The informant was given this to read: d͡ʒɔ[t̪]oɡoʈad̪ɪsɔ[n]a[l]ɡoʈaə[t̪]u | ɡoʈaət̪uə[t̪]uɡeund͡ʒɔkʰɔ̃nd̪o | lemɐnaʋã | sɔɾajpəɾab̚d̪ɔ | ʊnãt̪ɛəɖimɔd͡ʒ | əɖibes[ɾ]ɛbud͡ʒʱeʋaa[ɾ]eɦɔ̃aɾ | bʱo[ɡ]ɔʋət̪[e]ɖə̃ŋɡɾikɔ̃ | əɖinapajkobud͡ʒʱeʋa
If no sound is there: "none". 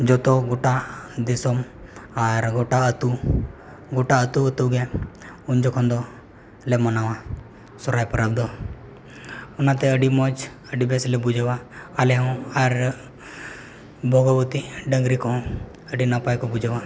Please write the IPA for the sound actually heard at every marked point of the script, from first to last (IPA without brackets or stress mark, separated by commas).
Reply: t̪, m, ɾ, t̪, t̪, l, l, ɡ, i